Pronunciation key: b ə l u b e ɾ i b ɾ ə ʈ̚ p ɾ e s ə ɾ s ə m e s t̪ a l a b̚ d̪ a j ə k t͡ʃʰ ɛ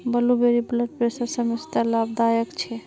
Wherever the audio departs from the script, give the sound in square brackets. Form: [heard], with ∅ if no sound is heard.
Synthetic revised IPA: b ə l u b e ɾ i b [l] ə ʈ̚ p ɾ e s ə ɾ s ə m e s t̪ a l a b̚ d̪ a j ə k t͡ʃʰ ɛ

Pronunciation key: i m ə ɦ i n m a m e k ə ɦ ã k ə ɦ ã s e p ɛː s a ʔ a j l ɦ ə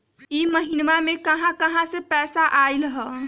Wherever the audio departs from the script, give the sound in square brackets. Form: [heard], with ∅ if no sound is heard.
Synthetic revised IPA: i m ə ɦ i n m a m e k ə ɦ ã k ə ɦ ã s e p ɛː s a ʔ a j l ɦ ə

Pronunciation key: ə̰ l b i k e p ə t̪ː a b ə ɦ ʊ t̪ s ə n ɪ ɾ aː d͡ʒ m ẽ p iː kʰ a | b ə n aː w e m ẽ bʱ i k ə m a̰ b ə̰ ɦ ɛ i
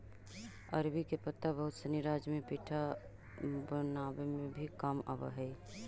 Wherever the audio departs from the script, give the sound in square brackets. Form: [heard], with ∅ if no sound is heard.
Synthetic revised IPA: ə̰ [ɾ] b i k e p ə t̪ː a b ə ɦ ʊ t̪ s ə n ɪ ɾ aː d͡ʒ m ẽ p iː [ʈʰ] a | b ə n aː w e m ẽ bʱ i k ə m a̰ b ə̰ ɦ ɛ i

